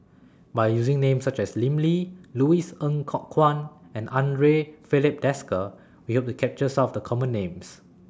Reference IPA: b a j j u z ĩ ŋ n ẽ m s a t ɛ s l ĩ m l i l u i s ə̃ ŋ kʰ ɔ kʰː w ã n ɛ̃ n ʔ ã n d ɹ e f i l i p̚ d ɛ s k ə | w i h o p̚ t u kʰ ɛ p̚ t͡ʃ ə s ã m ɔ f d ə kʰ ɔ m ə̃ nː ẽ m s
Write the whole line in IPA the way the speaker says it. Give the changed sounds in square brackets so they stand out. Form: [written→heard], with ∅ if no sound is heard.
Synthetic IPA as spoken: b a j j u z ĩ ŋ n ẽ m s a [t→t͡ʃ] ɛ s l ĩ m l i l u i s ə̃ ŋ kʰ ɔ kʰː w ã n ɛ̃ n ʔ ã n d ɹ e f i l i p̚ d ɛ s k ə | w i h o p̚ t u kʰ ɛ p̚ t͡ʃ ə s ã m ɔ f d ə kʰ ɔ m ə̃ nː ẽ m s